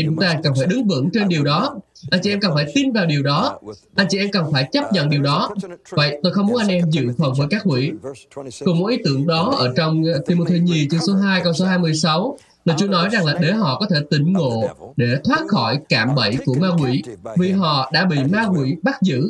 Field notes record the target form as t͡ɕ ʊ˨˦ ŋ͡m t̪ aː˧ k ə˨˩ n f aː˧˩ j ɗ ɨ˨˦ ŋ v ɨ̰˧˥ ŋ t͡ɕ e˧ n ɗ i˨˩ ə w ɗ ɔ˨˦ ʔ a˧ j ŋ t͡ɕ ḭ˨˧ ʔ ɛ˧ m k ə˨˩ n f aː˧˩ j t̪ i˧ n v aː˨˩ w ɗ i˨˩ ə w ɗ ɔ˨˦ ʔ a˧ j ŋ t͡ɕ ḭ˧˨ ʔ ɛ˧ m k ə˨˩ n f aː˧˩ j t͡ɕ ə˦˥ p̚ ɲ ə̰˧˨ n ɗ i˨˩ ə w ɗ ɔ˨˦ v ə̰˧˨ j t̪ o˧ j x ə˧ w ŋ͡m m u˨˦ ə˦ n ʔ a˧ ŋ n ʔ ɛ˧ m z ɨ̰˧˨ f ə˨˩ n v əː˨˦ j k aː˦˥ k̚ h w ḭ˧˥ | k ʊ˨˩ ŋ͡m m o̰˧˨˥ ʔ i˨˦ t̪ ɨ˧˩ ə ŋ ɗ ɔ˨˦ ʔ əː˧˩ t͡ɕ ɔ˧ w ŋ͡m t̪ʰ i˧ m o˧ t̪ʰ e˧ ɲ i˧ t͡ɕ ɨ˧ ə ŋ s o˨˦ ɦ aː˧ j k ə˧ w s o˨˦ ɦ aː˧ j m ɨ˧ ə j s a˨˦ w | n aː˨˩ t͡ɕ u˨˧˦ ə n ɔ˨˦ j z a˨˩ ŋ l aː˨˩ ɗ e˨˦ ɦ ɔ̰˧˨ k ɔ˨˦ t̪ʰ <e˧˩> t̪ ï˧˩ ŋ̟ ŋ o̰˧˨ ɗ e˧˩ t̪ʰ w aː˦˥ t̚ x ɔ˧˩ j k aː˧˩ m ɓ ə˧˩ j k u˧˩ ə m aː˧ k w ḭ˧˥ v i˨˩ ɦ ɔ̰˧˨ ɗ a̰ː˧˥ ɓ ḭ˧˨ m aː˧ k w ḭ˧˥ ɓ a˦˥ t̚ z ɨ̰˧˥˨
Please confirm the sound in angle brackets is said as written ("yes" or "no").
yes